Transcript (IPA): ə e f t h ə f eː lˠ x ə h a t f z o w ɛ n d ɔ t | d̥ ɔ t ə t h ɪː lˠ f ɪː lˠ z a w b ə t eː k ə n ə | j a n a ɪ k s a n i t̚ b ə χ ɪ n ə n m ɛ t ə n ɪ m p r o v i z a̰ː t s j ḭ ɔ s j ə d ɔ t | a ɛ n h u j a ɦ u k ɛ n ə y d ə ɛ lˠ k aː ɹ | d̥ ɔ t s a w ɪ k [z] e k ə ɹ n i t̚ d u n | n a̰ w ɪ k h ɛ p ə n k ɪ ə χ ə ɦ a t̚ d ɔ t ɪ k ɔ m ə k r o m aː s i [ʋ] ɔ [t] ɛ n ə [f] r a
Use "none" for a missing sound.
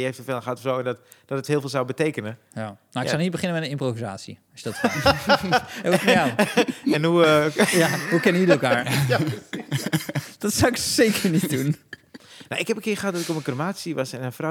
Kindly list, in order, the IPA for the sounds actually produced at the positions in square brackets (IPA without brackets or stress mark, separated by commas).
s, ʋ, s, f